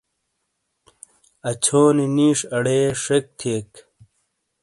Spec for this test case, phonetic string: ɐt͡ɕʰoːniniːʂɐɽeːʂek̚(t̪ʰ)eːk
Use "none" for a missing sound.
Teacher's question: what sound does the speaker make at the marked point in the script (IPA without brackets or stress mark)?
t̪ʰ